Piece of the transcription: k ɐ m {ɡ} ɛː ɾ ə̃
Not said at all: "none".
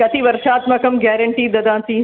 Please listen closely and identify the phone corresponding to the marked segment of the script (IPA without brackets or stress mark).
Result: ɡ